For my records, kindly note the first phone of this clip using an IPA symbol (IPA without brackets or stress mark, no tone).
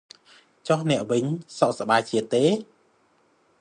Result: t͡ɕ